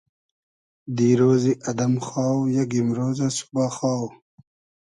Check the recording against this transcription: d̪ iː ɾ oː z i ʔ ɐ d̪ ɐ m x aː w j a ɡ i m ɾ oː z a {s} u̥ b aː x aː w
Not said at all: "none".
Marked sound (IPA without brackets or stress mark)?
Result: s